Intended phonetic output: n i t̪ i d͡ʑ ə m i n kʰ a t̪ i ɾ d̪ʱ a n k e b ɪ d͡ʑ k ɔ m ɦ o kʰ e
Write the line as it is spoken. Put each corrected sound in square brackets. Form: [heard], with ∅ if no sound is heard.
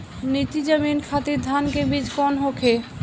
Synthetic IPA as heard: n i t̪ i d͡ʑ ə m i n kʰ a t̪ i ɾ d̪ʱ a n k e b [i] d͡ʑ k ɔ [n] ɦ o kʰ e